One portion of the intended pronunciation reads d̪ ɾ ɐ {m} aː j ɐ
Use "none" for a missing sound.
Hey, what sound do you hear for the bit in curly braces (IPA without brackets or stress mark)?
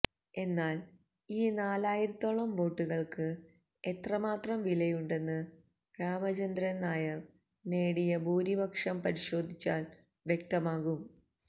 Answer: n